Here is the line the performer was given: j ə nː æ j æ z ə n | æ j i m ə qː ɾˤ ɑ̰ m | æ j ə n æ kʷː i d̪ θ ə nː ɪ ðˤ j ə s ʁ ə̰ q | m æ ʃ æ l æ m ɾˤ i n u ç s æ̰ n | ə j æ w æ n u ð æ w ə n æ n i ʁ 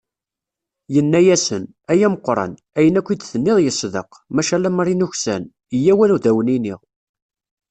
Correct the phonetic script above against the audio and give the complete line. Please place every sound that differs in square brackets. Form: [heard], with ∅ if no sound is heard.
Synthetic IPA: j ə nː æ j æ [s] ə n | æ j [æ] m ə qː ɾˤ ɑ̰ [n] | æ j ə n æ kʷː i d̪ θ ə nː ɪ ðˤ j ə s [ð] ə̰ q | m æ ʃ æ l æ m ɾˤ i n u ç s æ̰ n | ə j æ w æ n u ð æ w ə n [i] n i ʁ